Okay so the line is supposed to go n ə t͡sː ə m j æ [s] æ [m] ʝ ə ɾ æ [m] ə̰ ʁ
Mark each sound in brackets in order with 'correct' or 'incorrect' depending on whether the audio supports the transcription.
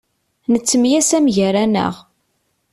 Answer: correct, correct, incorrect

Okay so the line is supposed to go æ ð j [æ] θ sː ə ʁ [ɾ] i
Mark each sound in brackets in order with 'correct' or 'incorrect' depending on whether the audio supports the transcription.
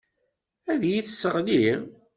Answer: incorrect, incorrect

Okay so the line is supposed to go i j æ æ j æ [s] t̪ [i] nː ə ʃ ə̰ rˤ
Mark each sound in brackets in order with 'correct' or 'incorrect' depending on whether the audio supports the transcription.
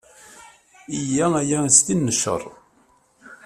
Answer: correct, correct

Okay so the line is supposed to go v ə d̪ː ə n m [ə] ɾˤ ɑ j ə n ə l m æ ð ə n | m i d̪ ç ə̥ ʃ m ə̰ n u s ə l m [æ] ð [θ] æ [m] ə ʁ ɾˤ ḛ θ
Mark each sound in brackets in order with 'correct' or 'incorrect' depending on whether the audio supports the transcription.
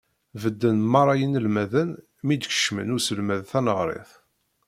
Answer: incorrect, correct, correct, incorrect

